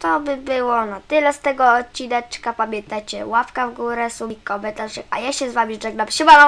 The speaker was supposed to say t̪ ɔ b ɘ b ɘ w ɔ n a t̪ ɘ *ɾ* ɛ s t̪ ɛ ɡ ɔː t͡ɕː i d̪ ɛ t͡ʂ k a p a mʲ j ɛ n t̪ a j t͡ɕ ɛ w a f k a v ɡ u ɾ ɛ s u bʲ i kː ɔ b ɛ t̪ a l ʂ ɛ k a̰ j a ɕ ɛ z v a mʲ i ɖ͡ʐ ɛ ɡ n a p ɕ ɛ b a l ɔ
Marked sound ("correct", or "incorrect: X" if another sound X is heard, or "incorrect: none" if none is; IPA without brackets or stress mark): incorrect: l